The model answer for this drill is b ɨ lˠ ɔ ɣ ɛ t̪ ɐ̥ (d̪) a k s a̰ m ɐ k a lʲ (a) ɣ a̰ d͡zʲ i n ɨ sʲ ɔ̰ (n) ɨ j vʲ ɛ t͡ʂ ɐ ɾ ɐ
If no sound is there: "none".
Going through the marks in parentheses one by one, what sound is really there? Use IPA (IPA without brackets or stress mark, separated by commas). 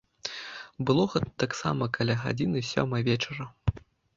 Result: t̪, a, m